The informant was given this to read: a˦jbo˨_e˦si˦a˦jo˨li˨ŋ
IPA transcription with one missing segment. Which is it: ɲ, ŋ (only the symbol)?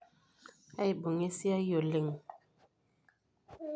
ŋ